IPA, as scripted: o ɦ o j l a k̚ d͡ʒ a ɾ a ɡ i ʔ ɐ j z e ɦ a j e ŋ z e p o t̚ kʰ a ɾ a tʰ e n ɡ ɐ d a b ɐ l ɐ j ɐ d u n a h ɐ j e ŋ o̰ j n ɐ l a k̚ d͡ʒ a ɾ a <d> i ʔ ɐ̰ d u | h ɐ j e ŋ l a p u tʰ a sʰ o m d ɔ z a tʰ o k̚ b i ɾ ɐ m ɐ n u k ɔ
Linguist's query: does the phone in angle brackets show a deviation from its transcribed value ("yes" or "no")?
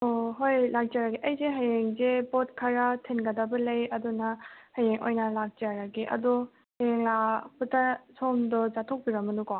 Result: yes